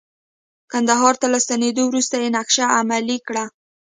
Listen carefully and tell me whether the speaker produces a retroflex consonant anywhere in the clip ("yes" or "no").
yes